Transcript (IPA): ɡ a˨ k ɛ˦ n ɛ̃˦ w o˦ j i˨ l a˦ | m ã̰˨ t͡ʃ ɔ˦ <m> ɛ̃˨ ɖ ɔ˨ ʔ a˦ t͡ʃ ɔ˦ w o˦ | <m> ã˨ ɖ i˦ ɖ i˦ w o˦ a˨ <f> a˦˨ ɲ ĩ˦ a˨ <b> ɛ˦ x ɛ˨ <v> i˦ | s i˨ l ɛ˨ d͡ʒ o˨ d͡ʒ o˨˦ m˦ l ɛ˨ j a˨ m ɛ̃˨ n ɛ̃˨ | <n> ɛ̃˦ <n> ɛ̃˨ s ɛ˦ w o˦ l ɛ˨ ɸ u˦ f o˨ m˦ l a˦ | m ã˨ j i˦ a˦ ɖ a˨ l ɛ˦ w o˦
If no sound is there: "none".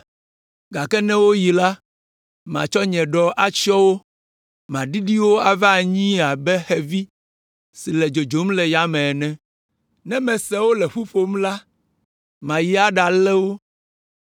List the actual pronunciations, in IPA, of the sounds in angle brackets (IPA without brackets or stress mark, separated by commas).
ɲ, m, v, b, v, n, m